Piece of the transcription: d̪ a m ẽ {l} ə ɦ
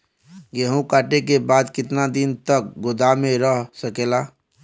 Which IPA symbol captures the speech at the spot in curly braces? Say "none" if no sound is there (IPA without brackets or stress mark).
ɾ